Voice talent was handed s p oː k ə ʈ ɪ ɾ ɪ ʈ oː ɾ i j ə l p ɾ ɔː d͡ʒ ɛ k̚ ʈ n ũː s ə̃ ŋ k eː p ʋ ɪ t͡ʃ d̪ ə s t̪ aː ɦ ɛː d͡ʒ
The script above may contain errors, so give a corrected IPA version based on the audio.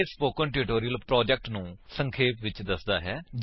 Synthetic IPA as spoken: s p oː k ə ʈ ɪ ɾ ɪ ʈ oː ɾ i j ə l p ɾ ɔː d͡ʒ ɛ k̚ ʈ n ũː s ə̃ ŋ kʰ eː p ʋ ɪ t͡ʃ d̪ ə s d̪ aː ɦ ɛː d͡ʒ